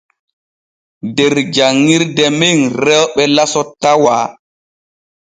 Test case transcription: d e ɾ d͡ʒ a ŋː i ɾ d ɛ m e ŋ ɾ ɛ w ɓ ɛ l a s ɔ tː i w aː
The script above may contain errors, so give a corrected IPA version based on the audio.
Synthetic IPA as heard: d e ɾ d͡ʒ a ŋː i ɾ d ɛ m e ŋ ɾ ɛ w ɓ ɛ l a s ɔ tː a w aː